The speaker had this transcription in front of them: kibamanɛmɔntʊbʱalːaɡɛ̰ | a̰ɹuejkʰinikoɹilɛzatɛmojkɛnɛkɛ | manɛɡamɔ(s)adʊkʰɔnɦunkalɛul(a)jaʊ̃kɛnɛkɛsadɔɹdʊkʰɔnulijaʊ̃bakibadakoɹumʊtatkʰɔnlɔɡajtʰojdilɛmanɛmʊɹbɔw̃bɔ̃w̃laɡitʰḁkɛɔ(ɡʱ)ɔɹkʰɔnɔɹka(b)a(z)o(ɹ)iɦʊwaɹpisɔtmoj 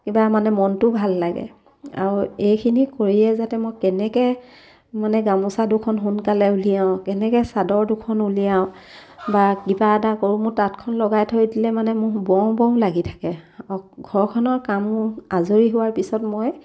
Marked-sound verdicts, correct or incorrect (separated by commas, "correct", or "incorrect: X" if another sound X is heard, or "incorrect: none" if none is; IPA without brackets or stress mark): correct, incorrect: i, correct, incorrect: m, correct, correct